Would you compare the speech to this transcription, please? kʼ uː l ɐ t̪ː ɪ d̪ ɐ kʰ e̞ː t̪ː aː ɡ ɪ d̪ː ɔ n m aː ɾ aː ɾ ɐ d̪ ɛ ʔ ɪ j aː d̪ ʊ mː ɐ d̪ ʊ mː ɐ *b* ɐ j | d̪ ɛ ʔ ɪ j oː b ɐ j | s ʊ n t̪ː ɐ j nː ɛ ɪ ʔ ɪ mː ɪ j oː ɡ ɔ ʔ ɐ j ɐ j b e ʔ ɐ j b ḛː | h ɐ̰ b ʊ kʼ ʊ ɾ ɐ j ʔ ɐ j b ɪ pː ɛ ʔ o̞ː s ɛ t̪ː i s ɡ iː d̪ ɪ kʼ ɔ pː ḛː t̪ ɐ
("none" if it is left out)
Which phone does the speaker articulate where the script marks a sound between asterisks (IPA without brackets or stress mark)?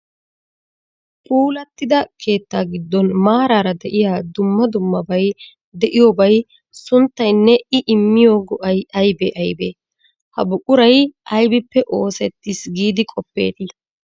b